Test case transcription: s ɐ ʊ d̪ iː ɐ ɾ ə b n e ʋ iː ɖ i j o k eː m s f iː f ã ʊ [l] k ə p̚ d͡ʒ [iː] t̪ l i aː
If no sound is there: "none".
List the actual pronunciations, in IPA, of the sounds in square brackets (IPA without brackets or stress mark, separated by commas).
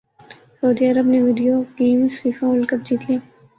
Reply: l, iː